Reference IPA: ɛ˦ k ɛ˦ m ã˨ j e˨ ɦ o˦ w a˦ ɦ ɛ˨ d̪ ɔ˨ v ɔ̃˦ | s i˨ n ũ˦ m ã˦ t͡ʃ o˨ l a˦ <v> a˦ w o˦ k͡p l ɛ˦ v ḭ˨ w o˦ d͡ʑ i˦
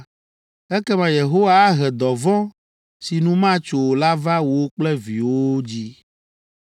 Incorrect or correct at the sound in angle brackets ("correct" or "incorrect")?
correct